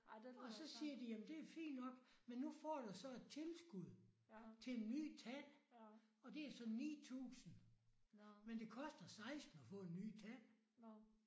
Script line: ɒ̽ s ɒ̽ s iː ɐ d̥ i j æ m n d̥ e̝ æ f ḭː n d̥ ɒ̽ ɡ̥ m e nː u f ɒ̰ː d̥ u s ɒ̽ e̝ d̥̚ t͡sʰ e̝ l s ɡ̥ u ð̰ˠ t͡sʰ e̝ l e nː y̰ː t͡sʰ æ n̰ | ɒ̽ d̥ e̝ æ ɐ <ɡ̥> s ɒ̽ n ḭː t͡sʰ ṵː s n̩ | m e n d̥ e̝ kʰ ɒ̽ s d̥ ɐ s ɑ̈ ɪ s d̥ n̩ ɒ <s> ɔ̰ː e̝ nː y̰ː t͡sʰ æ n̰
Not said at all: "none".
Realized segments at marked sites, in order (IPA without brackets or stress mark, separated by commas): none, f